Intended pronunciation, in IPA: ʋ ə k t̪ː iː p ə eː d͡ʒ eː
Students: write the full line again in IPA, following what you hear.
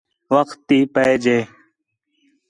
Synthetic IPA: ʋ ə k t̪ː iː p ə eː d͡ʒ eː